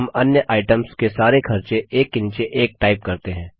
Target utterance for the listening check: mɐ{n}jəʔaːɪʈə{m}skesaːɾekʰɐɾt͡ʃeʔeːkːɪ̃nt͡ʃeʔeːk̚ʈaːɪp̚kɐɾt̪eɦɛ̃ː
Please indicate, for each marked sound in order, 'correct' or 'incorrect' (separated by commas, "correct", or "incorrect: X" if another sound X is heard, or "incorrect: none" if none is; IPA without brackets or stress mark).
correct, correct